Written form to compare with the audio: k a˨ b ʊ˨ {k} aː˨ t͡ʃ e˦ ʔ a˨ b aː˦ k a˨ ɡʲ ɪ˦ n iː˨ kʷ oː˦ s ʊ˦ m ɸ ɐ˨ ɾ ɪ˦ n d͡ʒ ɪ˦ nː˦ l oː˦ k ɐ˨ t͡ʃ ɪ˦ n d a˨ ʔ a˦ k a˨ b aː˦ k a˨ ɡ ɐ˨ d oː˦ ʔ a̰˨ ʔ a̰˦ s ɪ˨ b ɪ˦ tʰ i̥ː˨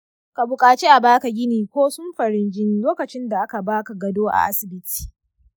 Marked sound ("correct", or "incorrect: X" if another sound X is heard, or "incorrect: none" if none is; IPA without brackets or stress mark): incorrect: kʼ